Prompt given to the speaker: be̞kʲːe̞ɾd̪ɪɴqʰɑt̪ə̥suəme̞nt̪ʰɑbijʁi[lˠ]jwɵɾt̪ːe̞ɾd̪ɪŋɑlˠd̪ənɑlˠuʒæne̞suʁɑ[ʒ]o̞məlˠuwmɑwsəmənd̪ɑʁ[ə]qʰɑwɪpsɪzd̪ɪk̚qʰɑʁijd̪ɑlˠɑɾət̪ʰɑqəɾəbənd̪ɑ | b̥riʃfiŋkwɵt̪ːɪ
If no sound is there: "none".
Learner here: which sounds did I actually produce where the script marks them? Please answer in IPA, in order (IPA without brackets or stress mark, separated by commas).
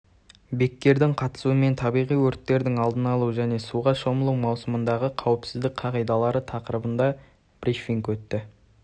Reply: none, ʃ, ə